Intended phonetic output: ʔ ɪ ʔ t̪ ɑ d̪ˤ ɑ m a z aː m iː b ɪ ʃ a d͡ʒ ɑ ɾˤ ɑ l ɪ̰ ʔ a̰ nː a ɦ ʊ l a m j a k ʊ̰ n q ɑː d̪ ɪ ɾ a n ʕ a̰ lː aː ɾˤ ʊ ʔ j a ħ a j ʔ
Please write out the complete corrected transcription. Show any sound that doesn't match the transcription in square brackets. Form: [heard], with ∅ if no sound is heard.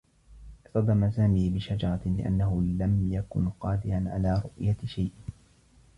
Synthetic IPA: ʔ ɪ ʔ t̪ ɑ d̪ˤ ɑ m a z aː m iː b ɪ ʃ a d͡ʒ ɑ ɾˤ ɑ l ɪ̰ ʔ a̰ nː a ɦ ʊ l a m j a k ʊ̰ n q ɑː d̪ ɪ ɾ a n ʕ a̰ [l] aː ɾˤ ʊ ʔ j a [ʃ] a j ʔ